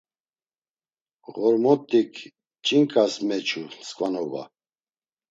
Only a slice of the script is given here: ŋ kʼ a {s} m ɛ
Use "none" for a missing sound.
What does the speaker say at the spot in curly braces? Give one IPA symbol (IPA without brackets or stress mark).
s